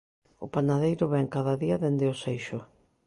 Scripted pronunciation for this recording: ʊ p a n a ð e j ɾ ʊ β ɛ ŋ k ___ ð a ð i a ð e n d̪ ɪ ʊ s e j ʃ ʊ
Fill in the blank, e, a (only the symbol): a